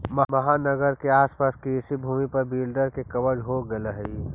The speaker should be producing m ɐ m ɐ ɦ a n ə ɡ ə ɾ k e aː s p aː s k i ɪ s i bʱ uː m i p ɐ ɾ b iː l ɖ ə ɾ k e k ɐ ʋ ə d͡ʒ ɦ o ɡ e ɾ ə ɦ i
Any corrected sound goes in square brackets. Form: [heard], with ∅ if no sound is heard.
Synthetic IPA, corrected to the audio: m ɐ m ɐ ɦ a n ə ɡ ə ɾ k e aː s p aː s k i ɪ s i bʱ uː m i p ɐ ɾ b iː l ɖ ə ɾ k e k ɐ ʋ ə d͡ʒ ɦ o ɡ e [l] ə ɦ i